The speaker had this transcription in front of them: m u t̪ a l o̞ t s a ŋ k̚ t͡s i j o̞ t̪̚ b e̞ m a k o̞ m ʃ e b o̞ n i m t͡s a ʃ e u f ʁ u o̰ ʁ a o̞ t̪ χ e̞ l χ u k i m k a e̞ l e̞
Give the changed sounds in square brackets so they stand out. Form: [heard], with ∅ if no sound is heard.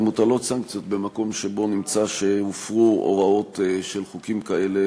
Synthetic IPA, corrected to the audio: m u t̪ a l o̞ t s a ŋ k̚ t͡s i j o̞ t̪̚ b e̞ m a k o̞ m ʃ e b o̞ n i m t͡s a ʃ e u f ʁ u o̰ ʁ a o̞ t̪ [ʃ] e̞ l χ u k i m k a e̞ l e̞